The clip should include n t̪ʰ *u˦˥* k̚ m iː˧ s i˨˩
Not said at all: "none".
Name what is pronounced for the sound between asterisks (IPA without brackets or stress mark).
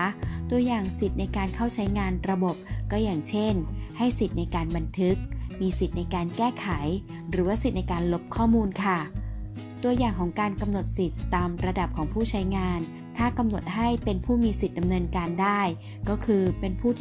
ɯ˦˥